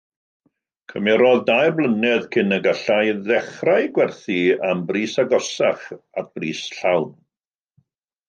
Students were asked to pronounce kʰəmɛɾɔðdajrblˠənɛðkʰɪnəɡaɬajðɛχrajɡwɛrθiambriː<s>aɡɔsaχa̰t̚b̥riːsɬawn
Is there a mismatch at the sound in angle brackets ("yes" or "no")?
no